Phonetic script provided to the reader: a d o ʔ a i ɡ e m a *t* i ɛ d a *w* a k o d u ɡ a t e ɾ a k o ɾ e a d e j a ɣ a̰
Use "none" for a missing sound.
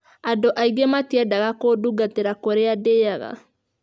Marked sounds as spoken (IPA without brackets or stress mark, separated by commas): t, ɣ